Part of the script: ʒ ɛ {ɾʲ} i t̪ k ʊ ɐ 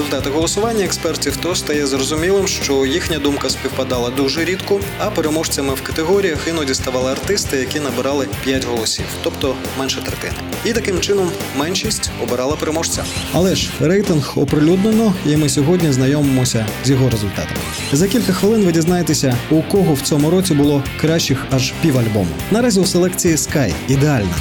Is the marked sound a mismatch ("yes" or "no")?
no